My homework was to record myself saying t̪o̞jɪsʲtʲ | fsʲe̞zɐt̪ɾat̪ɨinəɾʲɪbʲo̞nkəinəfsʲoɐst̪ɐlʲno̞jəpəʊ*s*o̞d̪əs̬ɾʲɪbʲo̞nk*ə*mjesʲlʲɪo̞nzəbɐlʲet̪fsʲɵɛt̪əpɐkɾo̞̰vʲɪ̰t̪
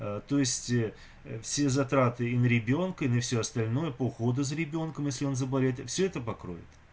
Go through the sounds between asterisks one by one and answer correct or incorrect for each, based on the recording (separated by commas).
incorrect, correct